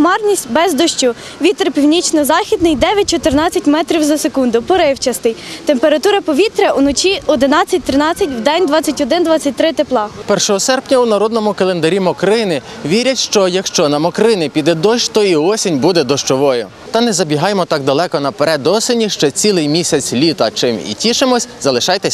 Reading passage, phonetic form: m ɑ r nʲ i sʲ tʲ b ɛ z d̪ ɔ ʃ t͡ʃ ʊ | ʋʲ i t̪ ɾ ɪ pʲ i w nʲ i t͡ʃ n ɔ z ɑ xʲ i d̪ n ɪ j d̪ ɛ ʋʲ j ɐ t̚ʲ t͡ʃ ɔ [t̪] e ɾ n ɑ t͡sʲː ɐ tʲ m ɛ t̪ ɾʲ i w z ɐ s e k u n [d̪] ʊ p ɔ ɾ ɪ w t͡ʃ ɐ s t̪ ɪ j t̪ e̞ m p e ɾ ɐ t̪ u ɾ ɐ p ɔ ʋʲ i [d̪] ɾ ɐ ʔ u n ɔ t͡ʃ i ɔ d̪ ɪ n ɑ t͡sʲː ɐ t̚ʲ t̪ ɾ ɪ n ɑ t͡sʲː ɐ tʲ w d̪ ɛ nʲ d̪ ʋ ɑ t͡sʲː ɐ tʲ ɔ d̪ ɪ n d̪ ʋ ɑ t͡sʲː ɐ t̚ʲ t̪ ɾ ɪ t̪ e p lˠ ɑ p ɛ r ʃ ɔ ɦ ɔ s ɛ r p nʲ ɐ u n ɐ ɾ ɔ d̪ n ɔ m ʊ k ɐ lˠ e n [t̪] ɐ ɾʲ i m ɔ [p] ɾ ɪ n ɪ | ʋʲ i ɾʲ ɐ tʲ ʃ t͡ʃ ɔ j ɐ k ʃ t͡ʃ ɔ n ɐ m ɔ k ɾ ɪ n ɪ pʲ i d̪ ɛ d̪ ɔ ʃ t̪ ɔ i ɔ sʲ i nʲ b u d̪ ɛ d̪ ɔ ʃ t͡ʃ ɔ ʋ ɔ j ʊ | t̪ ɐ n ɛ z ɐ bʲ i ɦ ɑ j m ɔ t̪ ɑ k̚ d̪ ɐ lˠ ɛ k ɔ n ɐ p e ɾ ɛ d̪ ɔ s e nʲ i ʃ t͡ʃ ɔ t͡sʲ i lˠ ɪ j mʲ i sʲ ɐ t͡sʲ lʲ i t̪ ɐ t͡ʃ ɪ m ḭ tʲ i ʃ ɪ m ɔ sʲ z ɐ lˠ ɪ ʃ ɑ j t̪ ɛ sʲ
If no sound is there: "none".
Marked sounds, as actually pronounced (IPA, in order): t̪, d̪, t̪, d̪, k

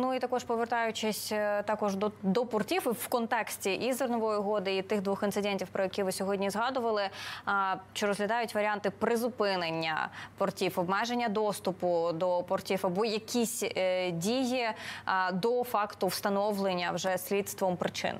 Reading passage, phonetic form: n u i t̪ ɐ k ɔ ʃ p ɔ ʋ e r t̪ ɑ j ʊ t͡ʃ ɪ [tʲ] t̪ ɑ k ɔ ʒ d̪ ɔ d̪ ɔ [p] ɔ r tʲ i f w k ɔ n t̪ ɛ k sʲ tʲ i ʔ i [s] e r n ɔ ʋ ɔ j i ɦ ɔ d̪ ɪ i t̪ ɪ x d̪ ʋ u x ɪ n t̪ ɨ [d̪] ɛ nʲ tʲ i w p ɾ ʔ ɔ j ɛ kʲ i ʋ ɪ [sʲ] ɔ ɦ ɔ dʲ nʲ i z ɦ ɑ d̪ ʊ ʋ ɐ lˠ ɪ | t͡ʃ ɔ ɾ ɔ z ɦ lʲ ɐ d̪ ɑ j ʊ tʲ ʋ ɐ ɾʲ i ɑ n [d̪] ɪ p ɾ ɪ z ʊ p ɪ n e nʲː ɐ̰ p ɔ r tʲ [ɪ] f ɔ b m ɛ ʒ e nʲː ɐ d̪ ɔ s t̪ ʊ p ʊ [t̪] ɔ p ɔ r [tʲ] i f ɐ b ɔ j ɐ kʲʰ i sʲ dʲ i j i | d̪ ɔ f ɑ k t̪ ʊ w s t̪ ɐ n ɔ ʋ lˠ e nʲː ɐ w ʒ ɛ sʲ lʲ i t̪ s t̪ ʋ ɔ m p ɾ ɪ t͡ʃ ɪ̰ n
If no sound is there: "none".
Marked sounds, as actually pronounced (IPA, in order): sʲ, p, z, d̪, sʲ, t̪, i, d̪, tʲ

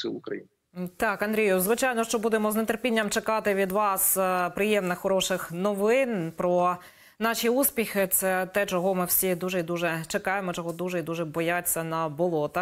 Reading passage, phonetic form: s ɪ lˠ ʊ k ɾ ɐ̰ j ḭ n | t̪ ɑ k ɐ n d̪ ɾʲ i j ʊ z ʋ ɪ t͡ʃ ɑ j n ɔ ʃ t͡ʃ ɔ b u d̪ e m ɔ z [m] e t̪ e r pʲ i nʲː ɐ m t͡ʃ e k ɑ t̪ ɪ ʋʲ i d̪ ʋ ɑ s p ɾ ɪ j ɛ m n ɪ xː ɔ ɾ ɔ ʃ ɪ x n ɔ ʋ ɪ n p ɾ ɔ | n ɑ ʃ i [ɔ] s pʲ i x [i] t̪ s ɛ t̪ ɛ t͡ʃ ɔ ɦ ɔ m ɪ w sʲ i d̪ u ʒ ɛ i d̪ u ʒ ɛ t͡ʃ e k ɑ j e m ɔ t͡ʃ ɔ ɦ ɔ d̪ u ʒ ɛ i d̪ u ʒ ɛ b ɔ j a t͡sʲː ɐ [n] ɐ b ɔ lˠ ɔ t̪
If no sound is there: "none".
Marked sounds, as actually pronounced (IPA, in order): n, u, ɪ, n

